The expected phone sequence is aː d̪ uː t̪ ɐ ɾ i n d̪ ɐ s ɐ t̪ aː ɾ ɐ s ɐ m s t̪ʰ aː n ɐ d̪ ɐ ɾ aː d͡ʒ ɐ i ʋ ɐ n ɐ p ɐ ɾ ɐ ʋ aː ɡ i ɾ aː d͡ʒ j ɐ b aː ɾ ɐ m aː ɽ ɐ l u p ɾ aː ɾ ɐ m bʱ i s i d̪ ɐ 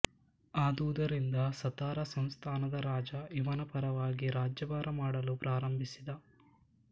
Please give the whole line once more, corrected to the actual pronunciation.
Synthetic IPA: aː d̪ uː d̪ ɐ ɾ i n d̪ ɐ s ɐ t̪ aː ɾ ɐ s ɐ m s t̪ʰ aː n ɐ d̪ ɐ ɾ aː d͡ʒ ɐ i ʋ ɐ n ɐ p ɐ ɾ ɐ ʋ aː ɡ i ɾ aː d͡ʒ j ɐ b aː ɾ ɐ m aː ɽ ɐ l u p ɾ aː ɾ ɐ m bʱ i s i d̪ ɐ